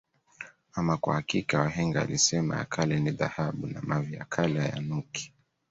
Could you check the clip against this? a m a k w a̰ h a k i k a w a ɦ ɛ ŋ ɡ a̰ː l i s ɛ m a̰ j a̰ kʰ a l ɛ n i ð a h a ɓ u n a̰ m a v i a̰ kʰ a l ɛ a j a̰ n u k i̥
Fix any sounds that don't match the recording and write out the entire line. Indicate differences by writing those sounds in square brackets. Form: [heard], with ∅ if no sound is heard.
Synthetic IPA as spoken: a m a k w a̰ h a k i k a w a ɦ ɛ ŋ ɡ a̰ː l i s ɛ m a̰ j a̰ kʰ a l ɛ n i ð a h a ɓ u n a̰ m a v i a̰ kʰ a l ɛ a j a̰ n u k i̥